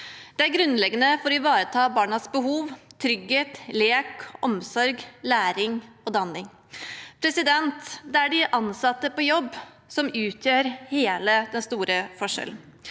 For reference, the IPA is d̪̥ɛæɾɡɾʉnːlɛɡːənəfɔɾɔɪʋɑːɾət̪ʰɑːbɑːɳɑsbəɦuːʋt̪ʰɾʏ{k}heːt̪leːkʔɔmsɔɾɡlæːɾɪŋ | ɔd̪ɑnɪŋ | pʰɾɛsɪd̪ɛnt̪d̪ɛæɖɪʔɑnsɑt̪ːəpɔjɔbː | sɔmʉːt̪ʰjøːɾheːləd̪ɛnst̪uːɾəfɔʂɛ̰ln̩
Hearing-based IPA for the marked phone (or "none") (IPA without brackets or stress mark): ɡ